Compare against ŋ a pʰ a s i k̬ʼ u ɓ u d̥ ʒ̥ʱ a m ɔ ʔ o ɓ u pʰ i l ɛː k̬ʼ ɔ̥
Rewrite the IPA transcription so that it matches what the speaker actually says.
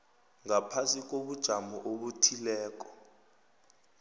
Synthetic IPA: ŋ a pʰ a s i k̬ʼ o ɓ u d̥ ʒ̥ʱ a m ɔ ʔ o ɓ u tʰ i l ɛː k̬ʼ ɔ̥